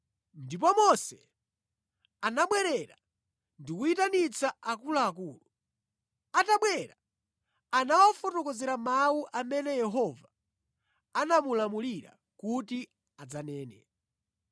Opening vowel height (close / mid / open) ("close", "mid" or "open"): close